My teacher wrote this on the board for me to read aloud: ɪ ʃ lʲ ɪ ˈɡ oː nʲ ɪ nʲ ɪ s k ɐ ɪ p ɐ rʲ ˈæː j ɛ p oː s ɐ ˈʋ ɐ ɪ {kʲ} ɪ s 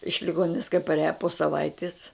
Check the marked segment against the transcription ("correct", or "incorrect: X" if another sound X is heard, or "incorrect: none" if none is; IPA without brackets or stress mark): incorrect: tʲ